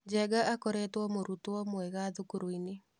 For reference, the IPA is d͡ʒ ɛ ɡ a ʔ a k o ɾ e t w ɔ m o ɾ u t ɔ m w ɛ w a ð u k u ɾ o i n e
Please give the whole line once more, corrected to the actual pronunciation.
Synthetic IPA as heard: d͡ʒ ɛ ɡ a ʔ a k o ɾ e t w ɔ m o ɾ u t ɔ m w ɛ ɣ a ð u k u ɾ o i n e